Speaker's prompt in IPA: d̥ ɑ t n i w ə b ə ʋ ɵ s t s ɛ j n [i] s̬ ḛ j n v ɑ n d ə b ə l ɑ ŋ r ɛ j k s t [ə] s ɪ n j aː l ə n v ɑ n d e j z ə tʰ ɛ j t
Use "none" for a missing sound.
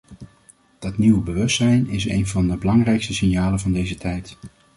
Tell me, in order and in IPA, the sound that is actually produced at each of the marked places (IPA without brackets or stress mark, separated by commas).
ɪ, ə